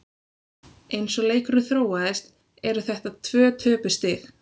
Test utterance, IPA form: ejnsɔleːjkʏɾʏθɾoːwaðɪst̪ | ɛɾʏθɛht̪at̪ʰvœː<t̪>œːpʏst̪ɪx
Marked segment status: incorrect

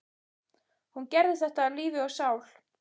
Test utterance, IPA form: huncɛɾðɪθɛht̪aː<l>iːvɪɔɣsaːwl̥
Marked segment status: correct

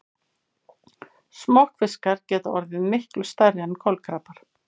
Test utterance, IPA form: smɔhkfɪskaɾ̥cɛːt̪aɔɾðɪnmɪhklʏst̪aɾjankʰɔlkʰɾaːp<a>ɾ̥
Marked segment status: correct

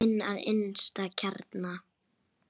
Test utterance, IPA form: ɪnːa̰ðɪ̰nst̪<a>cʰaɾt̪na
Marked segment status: correct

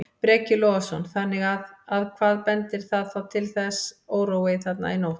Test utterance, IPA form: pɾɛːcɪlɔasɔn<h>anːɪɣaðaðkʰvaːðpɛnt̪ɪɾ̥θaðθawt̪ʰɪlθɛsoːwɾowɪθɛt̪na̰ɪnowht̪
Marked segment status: incorrect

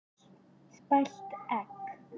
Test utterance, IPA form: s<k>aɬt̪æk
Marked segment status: incorrect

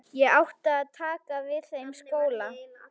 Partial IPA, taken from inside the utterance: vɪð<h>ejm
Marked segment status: incorrect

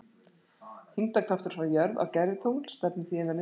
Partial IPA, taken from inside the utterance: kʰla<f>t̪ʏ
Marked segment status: correct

